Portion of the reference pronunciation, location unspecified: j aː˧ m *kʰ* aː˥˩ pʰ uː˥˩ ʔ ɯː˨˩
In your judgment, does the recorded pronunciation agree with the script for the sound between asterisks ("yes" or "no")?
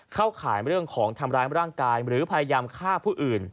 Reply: yes